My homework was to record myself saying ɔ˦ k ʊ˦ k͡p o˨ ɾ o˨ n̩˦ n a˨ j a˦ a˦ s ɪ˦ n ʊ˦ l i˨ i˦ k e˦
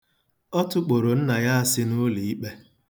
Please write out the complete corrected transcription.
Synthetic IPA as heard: ɔ˦ t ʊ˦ k͡p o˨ ɾ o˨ n̩˦ n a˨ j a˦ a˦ s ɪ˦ n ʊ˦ l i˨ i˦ k͡p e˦